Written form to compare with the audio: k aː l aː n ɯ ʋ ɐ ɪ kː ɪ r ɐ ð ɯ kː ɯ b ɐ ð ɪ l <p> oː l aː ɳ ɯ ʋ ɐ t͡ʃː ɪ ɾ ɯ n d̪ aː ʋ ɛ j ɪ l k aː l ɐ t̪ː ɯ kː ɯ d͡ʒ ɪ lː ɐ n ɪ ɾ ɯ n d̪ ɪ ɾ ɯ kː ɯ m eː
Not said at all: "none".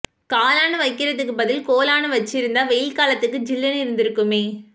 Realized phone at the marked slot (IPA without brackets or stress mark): k